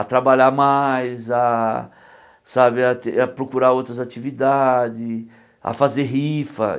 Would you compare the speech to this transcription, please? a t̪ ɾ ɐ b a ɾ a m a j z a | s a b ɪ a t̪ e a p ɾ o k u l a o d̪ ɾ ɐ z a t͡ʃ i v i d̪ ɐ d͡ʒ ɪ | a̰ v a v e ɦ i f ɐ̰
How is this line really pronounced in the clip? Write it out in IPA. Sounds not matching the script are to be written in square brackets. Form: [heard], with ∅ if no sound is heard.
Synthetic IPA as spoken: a t̪ ɾ [a] b a [ʎ] a m a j z a | s a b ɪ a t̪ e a p ɾ o k u [ɾ] a o [t̪] ɾ ɐ z a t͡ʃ i v i d̪ [a] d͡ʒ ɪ | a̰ [f] a [z] e ɦ i f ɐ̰

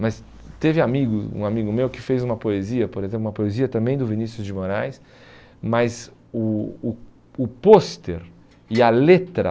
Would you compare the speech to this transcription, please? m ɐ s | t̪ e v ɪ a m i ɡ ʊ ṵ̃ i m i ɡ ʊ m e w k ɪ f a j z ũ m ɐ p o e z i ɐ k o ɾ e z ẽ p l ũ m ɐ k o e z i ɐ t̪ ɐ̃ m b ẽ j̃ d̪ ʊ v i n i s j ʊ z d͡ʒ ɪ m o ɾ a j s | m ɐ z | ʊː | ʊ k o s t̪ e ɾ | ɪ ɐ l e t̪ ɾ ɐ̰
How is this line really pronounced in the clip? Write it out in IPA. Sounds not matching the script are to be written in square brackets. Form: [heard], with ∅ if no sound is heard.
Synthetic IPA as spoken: m ɐ s | t̪ e v ɪ a m i ɡ ʊ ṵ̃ [a] m i ɡ ʊ m e w k ɪ f [e] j z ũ m ɐ p o e z i ɐ [p] o ɾ e z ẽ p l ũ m ɐ [p] o e z i ɐ t̪ ɐ̃ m b ẽ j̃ d̪ ʊ v i n i s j ʊ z d͡ʒ ɪ m o ɾ a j s | m ɐ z | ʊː | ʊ [p] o s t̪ e ɾ | ɪ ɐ l e t̪ ɾ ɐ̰

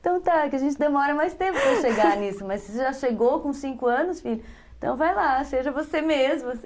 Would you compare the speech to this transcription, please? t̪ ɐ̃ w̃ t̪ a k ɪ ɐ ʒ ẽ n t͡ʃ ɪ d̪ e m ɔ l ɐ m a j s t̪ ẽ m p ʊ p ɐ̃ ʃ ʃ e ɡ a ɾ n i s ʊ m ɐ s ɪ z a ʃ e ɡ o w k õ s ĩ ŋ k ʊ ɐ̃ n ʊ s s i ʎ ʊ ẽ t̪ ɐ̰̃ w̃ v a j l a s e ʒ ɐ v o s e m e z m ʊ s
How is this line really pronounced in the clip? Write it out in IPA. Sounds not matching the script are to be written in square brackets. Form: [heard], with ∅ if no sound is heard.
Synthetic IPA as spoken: t̪ ɐ̃ w̃ t̪ a k ɪ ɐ ʒ ẽ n t͡ʃ ɪ d̪ e m ɔ [ɾ] ɐ m a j s t̪ ẽ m p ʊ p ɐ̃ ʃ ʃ e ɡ a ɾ n i s ʊ m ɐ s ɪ [ʒ] a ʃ e ɡ o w k õ s ĩ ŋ k ʊ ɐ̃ n ʊ s [f] i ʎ ʊ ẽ t̪ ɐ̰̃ w̃ v a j l a s e ʒ ɐ v o s e m e z m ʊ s

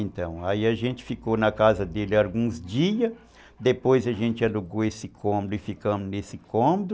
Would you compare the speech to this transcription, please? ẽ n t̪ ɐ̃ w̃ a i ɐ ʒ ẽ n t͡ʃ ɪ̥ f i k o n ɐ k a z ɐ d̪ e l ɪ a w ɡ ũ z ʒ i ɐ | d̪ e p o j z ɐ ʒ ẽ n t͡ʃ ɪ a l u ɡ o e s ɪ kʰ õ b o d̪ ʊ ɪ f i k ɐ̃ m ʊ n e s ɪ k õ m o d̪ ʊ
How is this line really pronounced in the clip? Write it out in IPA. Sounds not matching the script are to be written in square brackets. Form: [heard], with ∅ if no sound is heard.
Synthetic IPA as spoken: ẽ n t̪ ɐ̃ w̃ a i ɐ ʒ ẽ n t͡ʃ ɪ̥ f i k o n ɐ k a z ɐ d̪ e l ɪ a w ɡ ũ z [d͡ʒ] i ɐ | d̪ e p o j z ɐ ʒ ẽ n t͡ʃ ɪ a l u ɡ o e s ɪ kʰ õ [m] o d̪ ʊ ɪ f i k ɐ̃ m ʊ n e s ɪ k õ m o d̪ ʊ

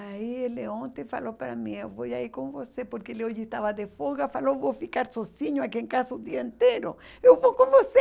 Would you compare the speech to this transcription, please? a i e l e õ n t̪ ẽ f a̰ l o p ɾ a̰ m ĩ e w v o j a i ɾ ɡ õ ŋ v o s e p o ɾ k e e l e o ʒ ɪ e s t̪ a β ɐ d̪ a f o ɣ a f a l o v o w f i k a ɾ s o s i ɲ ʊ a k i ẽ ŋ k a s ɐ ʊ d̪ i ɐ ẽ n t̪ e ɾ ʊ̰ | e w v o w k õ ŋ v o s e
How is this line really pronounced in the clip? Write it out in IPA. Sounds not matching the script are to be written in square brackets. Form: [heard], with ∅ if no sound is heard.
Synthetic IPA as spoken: a i e l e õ n t̪ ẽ f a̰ l o p ɾ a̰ m ĩ e w v o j a i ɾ [k] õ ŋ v o s e p o ɾ k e e l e o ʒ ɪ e s t̪ a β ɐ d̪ [e] f o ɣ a f a l o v o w f i k a ɾ s o s i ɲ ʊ a k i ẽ ŋ k a s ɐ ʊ d̪ i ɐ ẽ n t̪ e ɾ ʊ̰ | e w v o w k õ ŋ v o s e

